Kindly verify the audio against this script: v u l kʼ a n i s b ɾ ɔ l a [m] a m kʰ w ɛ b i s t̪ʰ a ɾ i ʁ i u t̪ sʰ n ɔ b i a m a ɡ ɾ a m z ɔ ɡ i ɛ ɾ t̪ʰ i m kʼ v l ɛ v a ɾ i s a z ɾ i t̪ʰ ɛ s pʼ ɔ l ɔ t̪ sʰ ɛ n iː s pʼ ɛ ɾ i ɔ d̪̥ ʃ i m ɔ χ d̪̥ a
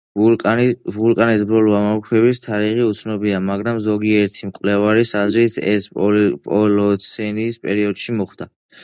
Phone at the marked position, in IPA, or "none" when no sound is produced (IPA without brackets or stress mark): m